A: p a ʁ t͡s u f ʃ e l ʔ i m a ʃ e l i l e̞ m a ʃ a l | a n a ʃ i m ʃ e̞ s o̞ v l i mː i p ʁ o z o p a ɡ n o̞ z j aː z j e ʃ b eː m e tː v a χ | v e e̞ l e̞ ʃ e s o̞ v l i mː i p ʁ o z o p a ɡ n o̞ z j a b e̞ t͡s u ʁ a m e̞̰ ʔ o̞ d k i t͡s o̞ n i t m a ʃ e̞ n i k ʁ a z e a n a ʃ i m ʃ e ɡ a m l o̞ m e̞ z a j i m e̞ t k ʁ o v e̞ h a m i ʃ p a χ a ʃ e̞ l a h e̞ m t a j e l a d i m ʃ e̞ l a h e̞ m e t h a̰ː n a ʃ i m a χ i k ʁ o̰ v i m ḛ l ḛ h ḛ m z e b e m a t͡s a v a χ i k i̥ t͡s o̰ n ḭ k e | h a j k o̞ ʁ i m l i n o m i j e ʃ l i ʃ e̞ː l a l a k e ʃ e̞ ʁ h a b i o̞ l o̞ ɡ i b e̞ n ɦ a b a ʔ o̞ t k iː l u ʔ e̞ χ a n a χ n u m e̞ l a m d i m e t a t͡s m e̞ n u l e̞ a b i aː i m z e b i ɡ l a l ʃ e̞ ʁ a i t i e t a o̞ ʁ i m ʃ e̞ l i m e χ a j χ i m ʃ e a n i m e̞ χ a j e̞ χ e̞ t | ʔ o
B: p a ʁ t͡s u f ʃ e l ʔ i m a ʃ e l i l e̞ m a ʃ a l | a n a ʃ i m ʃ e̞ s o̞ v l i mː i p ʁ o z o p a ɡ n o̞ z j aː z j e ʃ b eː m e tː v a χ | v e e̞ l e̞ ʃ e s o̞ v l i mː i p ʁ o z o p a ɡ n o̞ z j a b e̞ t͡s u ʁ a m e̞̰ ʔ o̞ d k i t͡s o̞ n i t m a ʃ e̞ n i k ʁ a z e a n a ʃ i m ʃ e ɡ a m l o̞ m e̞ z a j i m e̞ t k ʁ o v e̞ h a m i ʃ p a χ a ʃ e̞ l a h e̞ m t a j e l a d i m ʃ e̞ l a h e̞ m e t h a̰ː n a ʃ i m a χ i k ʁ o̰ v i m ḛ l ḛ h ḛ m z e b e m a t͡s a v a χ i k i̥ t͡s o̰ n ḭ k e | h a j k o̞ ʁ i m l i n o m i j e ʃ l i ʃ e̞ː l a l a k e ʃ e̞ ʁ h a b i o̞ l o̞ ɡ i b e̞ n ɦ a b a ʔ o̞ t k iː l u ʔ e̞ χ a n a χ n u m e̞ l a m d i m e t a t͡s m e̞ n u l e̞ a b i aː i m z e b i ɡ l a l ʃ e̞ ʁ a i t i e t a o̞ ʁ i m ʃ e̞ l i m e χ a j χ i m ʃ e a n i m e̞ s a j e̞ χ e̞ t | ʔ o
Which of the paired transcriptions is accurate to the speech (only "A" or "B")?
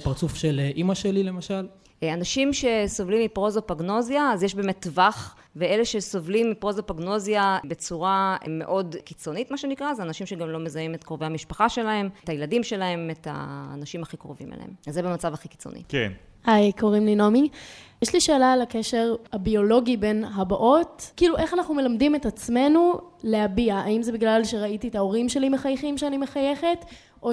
A